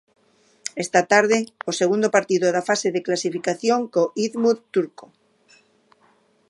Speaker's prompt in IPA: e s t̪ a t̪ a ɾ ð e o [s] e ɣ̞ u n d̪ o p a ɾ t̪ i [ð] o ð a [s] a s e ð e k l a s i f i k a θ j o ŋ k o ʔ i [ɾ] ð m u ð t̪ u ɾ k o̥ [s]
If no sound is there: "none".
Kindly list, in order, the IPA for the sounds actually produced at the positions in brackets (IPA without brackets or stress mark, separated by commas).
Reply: s, ð, f, none, none